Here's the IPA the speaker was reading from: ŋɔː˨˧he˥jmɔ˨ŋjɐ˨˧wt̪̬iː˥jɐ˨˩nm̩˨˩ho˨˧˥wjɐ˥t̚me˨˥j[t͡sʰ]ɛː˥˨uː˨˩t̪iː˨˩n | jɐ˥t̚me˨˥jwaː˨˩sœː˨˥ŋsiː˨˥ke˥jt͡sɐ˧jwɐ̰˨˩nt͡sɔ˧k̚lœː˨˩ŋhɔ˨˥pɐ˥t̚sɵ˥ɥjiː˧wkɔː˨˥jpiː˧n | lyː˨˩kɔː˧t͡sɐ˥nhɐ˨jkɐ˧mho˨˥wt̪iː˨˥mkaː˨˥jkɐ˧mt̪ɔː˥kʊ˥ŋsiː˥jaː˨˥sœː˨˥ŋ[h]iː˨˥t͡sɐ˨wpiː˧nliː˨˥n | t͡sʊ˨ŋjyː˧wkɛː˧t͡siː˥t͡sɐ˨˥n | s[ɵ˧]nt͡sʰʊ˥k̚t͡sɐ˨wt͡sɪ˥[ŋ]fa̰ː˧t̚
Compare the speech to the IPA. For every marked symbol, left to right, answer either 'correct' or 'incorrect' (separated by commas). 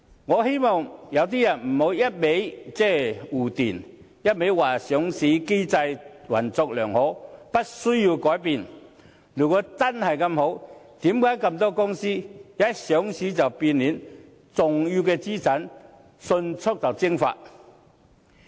incorrect, incorrect, correct, correct